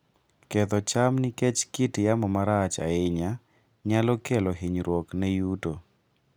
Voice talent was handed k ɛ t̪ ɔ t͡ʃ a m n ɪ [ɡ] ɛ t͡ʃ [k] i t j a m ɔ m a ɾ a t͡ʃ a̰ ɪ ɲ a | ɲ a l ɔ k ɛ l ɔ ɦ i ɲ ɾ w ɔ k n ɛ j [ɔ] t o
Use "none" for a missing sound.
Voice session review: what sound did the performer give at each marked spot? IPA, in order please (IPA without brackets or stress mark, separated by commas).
k, k, u